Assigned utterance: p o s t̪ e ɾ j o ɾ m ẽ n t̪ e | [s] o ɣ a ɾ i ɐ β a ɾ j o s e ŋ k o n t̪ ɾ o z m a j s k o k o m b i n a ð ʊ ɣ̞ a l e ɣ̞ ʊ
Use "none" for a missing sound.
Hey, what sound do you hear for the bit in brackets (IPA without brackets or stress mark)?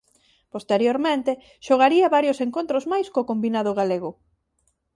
ʃ